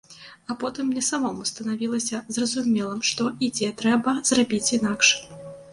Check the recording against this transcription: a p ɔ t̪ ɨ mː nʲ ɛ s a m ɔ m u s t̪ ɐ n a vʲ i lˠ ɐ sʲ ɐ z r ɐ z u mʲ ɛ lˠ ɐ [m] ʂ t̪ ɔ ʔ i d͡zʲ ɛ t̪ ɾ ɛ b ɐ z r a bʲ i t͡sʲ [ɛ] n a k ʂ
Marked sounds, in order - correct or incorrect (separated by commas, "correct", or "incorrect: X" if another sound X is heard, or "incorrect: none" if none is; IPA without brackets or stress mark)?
correct, incorrect: i